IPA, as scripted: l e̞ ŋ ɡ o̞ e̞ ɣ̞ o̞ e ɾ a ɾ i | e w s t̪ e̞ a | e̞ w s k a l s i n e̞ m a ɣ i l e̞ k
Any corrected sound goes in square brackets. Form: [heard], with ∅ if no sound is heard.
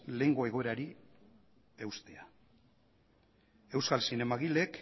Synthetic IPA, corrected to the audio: l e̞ ŋ ɡ o̞ e̞ ɣ̞ o̞ e ɾ a ɾ i | e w s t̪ e̞ a | e̞ w s k a l s i n e̞ m a ɣ i l e̞ k